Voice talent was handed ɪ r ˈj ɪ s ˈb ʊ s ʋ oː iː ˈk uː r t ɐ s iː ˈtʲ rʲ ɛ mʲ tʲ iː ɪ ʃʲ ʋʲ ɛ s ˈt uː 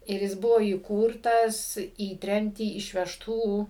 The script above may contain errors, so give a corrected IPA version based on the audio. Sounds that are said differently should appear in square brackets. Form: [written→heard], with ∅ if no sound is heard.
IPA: ɪ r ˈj ɪ s ˈb ʊ [s→∅] ʋ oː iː ˈk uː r t ɐ s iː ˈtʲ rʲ ɛ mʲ tʲ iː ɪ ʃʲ ʋʲ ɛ [s→ʃ] ˈt uː